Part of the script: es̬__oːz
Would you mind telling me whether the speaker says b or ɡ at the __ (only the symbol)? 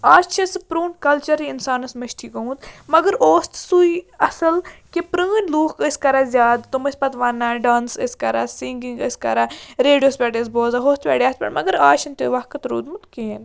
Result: b